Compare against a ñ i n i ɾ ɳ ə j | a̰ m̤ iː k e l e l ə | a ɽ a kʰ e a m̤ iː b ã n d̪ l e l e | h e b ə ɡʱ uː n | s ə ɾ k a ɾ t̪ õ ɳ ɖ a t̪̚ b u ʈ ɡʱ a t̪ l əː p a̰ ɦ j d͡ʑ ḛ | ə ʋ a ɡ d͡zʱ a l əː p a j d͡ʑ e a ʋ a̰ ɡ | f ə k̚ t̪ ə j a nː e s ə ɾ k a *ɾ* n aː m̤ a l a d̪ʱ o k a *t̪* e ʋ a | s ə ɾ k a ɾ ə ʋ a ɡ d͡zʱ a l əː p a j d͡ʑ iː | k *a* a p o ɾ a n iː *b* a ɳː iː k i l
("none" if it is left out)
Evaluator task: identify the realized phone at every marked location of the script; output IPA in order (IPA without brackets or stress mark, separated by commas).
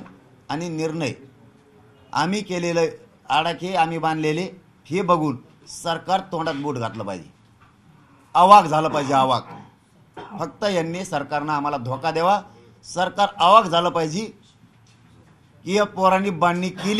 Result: ɾ, d̪, i, b